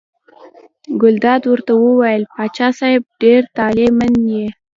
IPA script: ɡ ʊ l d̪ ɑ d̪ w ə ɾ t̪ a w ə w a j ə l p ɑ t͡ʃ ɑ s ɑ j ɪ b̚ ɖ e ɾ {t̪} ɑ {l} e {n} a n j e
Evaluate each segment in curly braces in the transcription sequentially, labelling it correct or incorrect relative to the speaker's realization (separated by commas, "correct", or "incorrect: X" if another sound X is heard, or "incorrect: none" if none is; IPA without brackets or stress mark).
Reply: correct, correct, incorrect: m